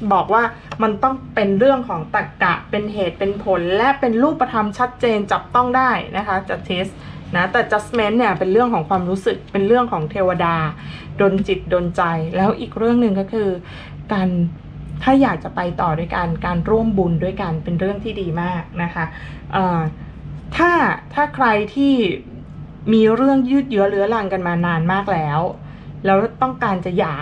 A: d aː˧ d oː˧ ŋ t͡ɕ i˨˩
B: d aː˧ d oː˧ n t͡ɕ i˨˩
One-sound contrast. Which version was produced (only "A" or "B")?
B